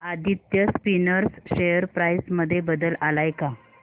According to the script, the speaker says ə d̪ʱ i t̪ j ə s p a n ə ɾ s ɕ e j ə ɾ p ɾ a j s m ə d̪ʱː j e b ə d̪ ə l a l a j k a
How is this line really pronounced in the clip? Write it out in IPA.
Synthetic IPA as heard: a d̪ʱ i t̪ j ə s p i n ə ɾ s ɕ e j ə ɾ p ɾ a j s m ə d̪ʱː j e b ə d̪ ə l a l a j k a